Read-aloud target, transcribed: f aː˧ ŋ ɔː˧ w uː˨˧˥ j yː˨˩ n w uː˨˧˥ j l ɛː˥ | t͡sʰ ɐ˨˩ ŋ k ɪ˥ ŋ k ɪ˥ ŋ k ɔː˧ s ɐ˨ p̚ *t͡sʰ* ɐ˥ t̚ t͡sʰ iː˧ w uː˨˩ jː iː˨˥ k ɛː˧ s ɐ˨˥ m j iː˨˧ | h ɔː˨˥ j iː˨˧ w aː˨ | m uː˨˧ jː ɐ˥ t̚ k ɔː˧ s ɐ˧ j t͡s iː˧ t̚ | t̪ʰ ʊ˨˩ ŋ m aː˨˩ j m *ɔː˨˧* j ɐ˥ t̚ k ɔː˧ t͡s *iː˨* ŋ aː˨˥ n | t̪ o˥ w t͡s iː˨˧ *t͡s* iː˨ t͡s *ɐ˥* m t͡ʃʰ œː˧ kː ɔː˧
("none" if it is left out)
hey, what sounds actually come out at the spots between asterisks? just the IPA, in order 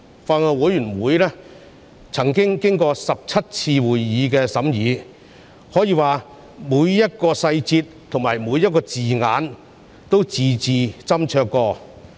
t͡sʰ, uː˨˧, iː˨, t͡s, ɐ˥

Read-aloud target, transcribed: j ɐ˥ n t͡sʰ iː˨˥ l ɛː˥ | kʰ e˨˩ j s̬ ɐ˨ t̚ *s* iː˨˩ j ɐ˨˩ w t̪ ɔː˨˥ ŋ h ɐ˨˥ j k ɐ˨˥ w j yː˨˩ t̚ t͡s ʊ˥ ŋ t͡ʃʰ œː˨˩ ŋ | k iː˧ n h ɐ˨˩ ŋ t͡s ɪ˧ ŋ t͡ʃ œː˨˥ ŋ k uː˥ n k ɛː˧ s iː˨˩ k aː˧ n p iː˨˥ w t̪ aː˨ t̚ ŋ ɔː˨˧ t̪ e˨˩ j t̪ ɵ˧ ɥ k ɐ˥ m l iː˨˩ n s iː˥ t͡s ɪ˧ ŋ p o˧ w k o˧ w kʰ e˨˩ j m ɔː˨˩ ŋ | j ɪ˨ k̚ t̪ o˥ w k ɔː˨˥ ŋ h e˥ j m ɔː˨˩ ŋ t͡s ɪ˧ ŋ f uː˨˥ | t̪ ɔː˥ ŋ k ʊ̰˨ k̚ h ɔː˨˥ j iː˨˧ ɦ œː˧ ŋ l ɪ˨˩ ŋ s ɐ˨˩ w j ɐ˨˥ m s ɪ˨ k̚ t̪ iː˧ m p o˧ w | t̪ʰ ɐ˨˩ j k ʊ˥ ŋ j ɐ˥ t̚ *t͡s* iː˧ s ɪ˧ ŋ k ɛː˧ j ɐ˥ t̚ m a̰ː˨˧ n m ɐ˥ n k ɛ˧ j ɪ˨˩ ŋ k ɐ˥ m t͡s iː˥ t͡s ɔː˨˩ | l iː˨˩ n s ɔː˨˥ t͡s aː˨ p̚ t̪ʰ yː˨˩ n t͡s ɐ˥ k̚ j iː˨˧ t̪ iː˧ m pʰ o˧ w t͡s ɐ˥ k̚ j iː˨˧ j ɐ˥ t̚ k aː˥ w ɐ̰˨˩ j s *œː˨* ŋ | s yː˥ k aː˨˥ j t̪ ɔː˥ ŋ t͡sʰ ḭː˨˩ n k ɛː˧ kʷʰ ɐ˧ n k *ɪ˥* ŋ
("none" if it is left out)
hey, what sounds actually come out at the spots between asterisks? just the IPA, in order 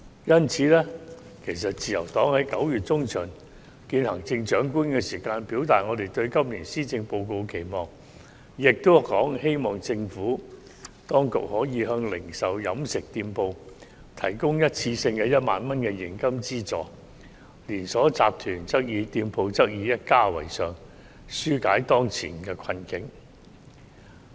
t͡s, t͡sʰ, œː˨, ɪ˨˥

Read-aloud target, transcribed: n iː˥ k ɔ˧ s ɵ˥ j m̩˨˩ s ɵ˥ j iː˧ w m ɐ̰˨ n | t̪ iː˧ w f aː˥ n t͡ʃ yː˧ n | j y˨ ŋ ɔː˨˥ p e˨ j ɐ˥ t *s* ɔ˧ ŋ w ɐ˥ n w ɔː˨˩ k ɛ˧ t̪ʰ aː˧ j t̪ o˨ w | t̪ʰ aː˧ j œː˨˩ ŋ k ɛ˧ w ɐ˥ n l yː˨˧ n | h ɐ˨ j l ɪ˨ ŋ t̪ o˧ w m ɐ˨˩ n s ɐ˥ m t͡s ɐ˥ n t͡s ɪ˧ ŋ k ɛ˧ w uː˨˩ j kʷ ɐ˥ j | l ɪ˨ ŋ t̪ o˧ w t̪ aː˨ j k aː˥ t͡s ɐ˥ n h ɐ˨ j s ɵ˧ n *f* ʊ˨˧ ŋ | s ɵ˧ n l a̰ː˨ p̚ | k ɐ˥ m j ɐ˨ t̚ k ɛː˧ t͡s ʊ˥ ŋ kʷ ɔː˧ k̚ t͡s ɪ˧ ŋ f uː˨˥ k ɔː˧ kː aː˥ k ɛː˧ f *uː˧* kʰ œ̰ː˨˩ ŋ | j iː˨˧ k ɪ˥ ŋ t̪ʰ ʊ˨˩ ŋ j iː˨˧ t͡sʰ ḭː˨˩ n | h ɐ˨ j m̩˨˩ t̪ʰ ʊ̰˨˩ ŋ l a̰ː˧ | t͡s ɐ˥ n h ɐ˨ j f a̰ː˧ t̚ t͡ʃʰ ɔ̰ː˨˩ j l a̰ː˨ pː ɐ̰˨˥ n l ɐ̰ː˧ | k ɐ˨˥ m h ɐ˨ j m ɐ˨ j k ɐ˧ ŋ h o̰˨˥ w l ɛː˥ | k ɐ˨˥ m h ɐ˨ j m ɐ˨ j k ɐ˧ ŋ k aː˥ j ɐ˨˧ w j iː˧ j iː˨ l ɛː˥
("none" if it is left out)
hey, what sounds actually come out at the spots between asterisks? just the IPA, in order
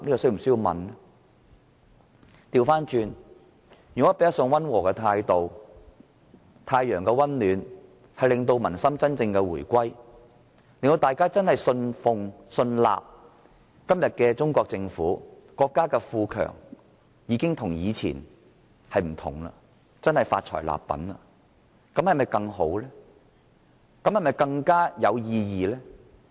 s, f, uː˧

